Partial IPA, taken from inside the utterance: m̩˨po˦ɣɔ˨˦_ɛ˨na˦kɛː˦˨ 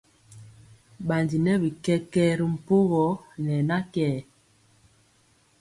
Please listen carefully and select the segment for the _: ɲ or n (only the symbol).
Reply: n